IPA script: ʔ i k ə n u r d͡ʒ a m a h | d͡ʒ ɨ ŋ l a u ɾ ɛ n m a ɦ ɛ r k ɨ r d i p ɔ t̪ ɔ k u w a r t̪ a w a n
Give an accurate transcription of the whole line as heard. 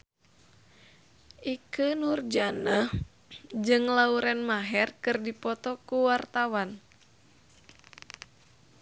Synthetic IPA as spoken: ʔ i k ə n u r d͡ʒ a n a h | d͡ʒ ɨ ŋ l a u ɾ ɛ n m a ɦ ɛ r k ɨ r d i p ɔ t̪ ɔ k u w a r t̪ a w a n